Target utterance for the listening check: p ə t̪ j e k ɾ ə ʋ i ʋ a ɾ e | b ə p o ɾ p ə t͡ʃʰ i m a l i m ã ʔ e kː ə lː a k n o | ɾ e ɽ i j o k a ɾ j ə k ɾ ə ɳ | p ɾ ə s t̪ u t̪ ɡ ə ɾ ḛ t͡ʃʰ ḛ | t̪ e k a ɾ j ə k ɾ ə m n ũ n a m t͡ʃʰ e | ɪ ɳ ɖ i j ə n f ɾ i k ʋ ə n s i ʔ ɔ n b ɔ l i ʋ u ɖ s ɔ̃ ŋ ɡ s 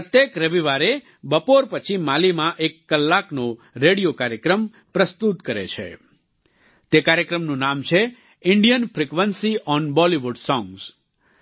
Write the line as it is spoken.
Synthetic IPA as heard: p ə t̪ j e k ɾ ə ʋ i ʋ a ɾ e | b ə p o ɾ p ə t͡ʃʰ i m a l i m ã ʔ e kː ə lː a k n o | ɾ e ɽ i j o k a ɾ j ə k ɾ ə m | p ɾ ə s t̪ u t̪ k ə ɾ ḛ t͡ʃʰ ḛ | t̪ e k a ɾ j ə k ɾ ə m n ũ n a m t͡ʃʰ e | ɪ ɳ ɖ i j ə n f ɾ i k ʋ ə n s i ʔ ɔ n b ɔ l i ʋ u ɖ s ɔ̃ ŋ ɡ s